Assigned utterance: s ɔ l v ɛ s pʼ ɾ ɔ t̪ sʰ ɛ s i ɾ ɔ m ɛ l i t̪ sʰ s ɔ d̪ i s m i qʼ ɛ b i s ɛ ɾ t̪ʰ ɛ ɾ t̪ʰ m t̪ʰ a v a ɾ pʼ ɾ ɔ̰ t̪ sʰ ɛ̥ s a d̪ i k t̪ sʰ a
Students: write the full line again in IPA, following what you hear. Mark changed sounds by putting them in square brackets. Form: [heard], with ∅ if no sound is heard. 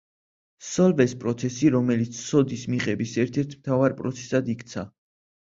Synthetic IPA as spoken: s ɔ l v ɛ s pʼ ɾ ɔ t̪ sʰ ɛ s i ɾ ɔ m ɛ l i t̪ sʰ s ɔ d̪ i s m i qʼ ɛ b i s ɛ ɾ t̪ʰ ɛ ɾ t̪ʰ m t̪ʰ a v a ɾ pʼ ɾ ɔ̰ t̪ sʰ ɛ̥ s a d̪ i k t̪ sʰ a